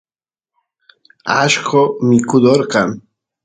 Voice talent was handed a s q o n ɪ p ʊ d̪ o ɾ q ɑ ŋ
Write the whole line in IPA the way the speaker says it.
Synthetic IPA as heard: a ʃ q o m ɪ k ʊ d̪ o ɾ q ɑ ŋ